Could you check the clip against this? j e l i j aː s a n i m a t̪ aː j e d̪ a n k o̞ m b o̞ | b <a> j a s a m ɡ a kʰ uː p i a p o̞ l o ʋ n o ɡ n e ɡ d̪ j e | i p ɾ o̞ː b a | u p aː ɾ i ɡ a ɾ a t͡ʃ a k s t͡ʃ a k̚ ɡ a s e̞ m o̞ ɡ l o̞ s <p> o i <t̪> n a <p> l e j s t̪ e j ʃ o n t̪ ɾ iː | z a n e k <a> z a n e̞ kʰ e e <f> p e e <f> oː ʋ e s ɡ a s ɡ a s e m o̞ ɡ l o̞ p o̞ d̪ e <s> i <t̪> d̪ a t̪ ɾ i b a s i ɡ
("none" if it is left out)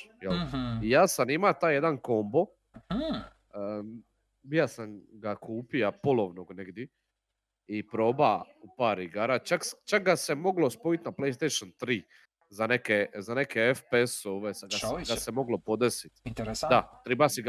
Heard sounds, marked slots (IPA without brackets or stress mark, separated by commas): i, p, t̪, p, e, f, s, s, t̪